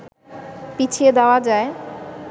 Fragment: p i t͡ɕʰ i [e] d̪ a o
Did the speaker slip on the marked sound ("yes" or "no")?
no